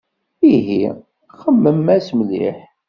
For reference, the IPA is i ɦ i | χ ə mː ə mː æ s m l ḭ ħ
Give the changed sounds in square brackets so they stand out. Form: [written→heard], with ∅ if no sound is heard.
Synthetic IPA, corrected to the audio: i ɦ i | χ ə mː ə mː æ s m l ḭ ħ